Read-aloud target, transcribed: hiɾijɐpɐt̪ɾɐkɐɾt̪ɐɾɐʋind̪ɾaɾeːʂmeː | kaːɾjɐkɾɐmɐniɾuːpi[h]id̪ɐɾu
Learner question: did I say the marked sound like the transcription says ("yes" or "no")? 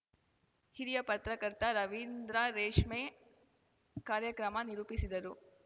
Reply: no